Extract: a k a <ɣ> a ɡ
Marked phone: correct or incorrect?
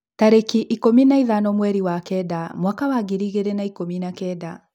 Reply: incorrect